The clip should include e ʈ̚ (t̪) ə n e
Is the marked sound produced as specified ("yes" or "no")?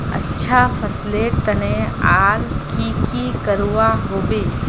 yes